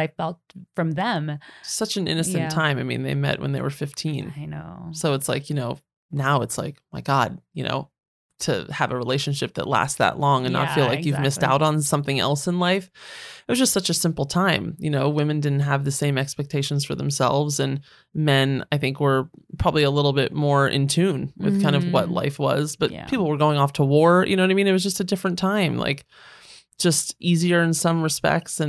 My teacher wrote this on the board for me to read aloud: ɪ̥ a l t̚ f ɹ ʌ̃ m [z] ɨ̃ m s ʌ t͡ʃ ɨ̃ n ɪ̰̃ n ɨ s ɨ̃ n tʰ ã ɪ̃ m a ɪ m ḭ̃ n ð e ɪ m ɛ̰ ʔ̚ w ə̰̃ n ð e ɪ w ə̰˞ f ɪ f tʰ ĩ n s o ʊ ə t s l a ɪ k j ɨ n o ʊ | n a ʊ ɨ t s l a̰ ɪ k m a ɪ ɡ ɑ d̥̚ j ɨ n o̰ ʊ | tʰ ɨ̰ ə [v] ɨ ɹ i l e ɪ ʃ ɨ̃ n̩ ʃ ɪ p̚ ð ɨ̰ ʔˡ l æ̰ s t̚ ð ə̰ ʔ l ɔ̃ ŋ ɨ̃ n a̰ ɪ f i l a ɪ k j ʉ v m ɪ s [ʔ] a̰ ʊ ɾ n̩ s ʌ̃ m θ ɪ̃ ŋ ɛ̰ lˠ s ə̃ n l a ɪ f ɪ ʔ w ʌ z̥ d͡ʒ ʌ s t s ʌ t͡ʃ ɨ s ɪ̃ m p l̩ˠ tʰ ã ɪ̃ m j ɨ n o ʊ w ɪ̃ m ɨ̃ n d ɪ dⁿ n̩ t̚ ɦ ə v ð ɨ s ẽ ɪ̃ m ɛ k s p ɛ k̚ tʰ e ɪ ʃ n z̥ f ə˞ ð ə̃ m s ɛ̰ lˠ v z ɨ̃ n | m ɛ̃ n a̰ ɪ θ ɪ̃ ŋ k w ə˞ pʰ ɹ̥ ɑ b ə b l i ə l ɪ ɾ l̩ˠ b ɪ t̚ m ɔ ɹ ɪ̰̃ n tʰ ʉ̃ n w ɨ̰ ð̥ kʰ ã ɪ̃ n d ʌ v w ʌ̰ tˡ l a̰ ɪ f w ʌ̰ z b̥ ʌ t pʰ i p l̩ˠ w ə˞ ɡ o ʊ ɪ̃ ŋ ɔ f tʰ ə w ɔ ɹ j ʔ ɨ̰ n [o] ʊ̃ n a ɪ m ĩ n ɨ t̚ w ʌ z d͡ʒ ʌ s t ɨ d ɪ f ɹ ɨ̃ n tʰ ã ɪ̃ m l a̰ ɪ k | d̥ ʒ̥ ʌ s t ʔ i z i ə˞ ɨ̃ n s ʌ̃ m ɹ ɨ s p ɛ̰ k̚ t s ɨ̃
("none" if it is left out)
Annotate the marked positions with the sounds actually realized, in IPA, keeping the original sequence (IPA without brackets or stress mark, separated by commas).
ð, v, t, o